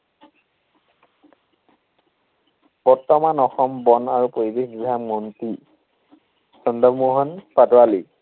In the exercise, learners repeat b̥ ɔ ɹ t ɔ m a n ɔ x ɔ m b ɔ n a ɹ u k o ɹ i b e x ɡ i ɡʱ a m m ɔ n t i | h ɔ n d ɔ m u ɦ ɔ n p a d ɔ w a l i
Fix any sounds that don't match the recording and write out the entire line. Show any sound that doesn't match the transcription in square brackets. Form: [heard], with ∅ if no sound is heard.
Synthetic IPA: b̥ ɔ ɹ t ɔ m a n ɔ x ɔ m b ɔ n a ɹ u [p] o ɹ i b e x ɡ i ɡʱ a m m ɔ n t i | [s] ɔ n d ɔ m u ɦ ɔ n p a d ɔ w a l i